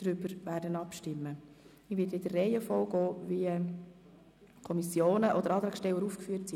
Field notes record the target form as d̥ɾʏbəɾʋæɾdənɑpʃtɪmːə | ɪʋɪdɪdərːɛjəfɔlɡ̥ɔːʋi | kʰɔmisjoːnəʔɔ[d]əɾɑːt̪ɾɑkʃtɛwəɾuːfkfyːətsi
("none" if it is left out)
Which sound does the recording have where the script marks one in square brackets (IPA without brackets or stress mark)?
d